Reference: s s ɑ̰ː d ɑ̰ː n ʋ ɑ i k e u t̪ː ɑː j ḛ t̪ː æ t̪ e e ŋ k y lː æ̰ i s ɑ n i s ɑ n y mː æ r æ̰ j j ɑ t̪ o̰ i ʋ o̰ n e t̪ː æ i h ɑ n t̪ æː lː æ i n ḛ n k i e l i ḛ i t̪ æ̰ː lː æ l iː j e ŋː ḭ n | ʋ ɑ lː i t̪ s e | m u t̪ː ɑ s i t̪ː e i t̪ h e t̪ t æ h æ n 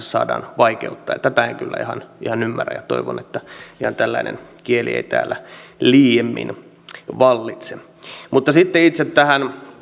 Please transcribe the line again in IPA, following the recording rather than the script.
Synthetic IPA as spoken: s s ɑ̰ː d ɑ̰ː n ʋ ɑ i k e u t̪ː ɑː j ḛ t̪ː æ t̪ æ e ŋ k y lː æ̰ i h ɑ n i h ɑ n y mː æ r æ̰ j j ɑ t̪ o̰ i ʋ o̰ n e t̪ː æ i h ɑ n t̪ æ lː æ i n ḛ n k i e l i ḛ i t̪ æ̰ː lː æ l iː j e mː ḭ n | ʋ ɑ lː i t̪ s e | m u t̪ː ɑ s i t̪ː e i t̪ s e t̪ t æ h æ n